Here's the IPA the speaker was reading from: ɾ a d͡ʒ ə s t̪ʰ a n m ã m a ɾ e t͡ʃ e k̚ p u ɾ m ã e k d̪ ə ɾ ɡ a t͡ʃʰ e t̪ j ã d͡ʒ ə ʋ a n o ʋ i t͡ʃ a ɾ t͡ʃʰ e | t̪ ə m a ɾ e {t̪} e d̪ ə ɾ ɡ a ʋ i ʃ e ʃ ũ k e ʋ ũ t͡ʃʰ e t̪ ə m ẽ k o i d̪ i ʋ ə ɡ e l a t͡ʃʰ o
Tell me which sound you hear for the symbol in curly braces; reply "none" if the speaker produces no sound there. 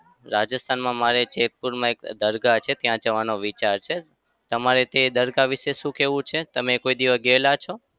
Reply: t̪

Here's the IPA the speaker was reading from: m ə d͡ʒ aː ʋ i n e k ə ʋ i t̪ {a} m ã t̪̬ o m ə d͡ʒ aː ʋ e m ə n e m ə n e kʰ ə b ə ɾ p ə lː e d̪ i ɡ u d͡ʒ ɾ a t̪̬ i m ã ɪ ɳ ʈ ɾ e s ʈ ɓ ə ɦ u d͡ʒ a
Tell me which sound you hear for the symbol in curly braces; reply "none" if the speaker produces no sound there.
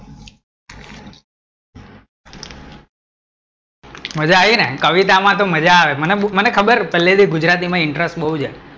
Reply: a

